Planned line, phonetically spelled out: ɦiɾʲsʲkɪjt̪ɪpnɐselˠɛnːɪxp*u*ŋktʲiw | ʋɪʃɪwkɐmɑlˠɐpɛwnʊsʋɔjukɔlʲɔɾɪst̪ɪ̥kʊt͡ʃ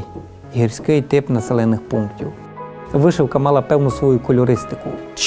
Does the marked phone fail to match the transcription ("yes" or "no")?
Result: no